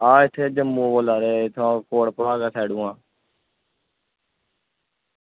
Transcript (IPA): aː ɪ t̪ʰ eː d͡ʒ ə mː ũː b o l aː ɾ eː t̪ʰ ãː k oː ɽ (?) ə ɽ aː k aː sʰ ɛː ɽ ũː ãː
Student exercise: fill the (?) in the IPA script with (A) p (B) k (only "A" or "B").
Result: A